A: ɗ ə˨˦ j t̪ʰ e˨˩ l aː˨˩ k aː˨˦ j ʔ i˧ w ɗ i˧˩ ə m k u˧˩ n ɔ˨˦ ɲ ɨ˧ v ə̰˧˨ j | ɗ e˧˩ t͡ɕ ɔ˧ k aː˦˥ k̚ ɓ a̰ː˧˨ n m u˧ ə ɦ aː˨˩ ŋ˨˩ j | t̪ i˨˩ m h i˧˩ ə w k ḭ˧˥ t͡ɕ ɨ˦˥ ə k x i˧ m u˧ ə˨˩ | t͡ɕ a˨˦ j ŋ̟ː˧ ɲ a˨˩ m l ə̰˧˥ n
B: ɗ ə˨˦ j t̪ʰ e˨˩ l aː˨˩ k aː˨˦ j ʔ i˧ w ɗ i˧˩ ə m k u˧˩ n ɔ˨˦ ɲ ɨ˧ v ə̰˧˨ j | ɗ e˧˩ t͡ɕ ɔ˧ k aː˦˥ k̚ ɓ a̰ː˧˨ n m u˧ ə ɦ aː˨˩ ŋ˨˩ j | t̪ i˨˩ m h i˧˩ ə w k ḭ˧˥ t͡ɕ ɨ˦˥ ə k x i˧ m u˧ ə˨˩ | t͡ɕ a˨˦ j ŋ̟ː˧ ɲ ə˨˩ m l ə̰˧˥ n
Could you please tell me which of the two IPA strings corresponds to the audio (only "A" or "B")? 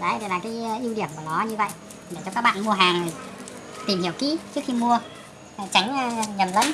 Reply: B